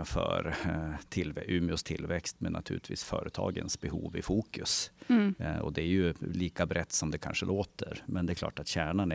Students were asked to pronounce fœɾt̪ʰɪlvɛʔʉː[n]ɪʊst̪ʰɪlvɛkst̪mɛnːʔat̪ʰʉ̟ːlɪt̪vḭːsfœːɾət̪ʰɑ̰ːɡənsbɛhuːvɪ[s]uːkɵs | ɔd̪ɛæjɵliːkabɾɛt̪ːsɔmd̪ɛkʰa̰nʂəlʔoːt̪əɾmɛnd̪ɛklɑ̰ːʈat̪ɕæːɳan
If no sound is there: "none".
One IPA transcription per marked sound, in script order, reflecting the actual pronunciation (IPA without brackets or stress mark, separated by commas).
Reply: m, f